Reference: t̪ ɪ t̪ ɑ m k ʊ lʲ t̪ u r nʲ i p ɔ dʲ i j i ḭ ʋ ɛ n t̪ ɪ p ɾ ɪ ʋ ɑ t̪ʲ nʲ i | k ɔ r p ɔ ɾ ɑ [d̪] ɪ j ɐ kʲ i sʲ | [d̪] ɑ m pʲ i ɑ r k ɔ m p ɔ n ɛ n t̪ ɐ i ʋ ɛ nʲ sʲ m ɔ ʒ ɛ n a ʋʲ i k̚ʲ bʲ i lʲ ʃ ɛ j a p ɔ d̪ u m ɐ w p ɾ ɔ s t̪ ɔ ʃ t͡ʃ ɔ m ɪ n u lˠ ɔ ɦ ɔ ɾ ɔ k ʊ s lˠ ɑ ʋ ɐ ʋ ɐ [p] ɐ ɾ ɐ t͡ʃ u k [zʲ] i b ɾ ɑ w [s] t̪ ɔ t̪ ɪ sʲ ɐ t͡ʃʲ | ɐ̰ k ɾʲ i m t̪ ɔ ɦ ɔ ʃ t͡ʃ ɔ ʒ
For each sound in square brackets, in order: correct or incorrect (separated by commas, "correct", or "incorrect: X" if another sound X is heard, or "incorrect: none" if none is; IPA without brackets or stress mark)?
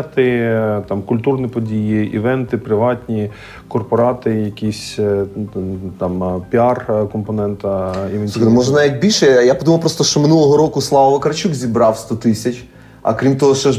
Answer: incorrect: t̪, incorrect: t̪, incorrect: k, correct, correct